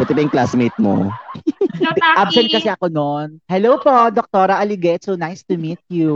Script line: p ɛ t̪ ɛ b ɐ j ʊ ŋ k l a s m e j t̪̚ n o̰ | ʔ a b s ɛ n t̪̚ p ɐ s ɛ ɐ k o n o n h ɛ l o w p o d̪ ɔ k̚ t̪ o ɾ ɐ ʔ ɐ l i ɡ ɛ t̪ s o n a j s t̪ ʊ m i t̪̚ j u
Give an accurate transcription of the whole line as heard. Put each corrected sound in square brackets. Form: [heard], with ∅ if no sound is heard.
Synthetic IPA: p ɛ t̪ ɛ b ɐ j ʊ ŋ k l a s m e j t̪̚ [m] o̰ | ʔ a b s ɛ n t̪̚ [k] ɐ s ɛ ɐ k o n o n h ɛ l o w p o d̪ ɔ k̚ t̪ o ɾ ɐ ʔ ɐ l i ɡ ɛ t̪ s o n a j s t̪ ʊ m i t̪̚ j u